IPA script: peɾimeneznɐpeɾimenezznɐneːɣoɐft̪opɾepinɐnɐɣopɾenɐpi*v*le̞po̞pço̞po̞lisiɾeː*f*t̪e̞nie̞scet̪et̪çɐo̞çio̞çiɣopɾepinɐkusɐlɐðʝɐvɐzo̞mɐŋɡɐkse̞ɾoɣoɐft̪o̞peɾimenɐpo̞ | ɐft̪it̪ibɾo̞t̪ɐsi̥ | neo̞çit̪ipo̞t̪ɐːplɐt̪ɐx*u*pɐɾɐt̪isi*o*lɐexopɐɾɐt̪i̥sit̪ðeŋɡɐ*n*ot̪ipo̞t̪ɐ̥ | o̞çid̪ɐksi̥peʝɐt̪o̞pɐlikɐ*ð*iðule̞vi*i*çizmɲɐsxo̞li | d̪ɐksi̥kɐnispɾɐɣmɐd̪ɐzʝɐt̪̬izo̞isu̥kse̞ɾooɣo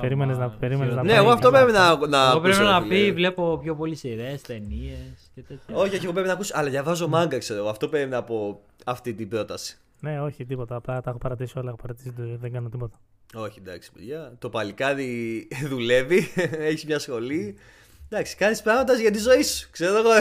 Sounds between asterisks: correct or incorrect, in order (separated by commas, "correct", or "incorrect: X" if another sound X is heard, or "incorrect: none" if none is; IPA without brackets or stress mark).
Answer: correct, incorrect: s, incorrect: o, correct, correct, correct, incorrect: e